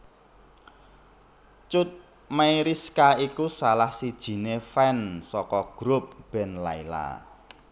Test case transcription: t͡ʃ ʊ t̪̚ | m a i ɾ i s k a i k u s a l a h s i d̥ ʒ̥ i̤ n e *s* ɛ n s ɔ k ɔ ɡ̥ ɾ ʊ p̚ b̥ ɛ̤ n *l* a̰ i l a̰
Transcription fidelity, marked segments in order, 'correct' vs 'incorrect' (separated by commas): incorrect, correct